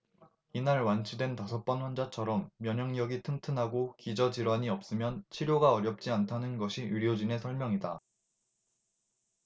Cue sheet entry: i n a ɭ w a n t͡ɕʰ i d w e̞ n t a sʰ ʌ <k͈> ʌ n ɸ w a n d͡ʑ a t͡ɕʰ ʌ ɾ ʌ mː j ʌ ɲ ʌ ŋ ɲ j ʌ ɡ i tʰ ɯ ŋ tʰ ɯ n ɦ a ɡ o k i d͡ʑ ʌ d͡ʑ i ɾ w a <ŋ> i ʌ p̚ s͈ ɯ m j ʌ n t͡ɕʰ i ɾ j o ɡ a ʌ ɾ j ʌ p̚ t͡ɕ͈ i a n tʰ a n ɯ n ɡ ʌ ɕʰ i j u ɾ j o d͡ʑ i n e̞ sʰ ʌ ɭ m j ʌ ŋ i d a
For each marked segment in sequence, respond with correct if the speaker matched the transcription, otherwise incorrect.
incorrect: p͈, incorrect: ɲ

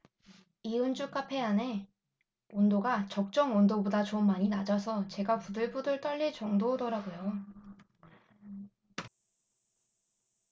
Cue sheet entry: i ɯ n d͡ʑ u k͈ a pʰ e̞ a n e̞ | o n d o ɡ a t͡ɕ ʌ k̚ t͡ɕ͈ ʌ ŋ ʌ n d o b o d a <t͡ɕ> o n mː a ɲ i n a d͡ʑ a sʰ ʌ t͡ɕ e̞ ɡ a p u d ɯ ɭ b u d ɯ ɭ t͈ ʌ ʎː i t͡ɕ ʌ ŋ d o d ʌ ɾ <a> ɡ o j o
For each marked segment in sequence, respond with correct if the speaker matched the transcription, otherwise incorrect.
correct, correct

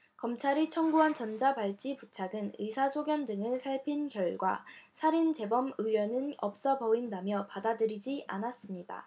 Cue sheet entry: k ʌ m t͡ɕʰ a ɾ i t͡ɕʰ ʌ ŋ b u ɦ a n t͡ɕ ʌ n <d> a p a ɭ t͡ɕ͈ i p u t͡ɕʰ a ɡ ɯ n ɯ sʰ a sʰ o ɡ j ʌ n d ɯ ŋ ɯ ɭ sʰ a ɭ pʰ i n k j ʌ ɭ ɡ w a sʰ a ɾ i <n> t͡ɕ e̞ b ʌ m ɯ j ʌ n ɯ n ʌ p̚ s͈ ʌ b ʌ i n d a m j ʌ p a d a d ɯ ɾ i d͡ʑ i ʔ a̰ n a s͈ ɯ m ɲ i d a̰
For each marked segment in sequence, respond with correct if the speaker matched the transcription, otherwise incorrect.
incorrect: d͡ʑ, correct

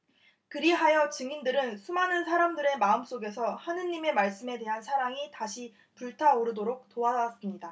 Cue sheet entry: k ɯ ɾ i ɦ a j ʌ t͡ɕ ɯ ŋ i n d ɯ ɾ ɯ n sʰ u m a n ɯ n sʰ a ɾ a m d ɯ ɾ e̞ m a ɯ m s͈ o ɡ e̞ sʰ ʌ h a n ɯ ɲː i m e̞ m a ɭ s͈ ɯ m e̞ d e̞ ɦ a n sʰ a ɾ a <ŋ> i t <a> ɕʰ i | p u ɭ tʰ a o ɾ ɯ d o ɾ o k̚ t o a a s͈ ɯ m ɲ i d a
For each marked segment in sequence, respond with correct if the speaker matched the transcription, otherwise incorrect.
correct, correct

